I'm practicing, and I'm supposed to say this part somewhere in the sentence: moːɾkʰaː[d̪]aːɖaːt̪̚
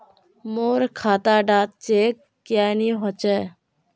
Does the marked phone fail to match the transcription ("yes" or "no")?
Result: yes